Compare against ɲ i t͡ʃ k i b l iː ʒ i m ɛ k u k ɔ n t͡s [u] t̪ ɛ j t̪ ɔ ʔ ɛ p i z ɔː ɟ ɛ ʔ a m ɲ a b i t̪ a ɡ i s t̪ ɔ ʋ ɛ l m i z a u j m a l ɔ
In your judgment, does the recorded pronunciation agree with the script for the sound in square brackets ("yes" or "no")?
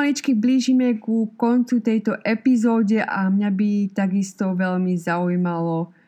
yes